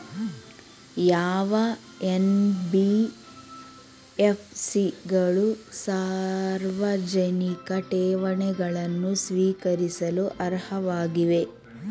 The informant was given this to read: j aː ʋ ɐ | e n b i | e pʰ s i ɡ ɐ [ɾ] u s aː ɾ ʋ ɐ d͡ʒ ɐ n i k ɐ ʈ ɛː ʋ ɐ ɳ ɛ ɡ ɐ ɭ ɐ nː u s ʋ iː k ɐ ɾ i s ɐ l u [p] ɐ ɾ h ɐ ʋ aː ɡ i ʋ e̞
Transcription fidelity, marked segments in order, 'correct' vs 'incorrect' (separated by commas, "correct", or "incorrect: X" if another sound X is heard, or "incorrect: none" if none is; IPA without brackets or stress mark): incorrect: ɭ, incorrect: ʔ